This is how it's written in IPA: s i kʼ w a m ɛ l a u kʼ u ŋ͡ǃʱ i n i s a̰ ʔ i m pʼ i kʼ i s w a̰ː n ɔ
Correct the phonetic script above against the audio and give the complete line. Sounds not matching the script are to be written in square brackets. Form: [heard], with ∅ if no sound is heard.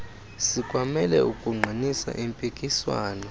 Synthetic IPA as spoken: s i kʼ w a m ɛ l [ɛ] u kʼ u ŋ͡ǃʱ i n i s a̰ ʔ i m pʼ i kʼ i s w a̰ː n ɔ